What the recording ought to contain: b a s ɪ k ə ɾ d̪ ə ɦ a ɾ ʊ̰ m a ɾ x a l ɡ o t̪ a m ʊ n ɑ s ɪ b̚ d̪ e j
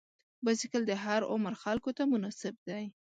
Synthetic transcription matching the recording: b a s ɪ k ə l d̪ ə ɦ a ɾ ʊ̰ m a ɾ x a l k o t̪ a m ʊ n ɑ s ɪ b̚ d̪ a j